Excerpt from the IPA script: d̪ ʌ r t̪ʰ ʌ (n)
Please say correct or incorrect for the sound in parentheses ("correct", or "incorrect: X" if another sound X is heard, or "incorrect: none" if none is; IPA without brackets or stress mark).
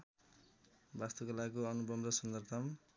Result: incorrect: m